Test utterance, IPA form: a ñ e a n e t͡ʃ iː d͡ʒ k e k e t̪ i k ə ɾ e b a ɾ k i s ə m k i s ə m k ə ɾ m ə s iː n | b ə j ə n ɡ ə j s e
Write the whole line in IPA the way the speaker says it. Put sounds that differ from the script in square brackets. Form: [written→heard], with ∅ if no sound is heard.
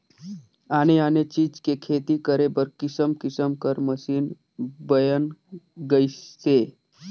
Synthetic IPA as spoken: a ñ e a n e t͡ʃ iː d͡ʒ k e [k→kʰ] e t̪ i k ə ɾ e b [a→ə] ɾ k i s ə m k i s ə m k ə ɾ m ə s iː n | b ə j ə n ɡ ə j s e